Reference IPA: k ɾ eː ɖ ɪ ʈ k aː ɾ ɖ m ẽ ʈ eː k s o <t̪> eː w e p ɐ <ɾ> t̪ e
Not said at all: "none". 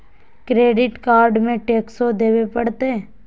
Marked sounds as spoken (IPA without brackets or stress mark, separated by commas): d̪, ɽ